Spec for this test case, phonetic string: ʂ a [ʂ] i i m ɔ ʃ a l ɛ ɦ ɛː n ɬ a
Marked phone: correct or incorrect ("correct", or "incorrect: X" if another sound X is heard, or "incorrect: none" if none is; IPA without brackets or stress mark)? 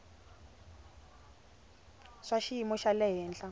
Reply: incorrect: ʃ